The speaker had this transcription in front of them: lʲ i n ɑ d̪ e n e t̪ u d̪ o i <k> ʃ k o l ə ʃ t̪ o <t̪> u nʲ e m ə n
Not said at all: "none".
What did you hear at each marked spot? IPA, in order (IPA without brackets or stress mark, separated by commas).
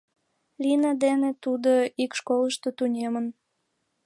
k, t̪